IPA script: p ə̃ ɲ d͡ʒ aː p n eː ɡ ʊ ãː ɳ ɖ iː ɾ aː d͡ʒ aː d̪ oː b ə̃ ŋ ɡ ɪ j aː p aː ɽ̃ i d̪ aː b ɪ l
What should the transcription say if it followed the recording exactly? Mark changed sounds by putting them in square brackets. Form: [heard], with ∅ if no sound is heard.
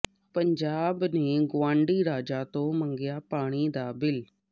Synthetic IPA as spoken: p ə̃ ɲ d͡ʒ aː [b] n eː ɡ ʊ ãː ɳ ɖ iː ɾ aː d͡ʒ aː [t̪] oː [m] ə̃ ŋ ɡ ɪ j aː p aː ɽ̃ i d̪ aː b ɪ l